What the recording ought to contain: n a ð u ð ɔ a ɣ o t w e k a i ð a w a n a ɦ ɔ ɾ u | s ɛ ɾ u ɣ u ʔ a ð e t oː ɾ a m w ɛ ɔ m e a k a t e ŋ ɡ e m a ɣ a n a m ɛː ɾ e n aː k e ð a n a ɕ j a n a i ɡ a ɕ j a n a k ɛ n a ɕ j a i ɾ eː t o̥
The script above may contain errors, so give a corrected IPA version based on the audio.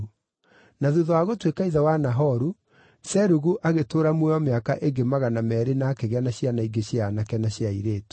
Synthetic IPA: n a ð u ð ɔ a ɣ o t w e k a i ð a w a n a ɦ ɔ ɾ u | s ɛ ɾ u ɣ u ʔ a ɣ e t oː ɾ a m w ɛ ɔ m e a k a ʔ e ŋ ɡ e m a ɣ a n a m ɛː ɾ e n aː k e ɣ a n a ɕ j a n a i ɡ e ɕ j a n a k ɛ n a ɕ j a i ɾ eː t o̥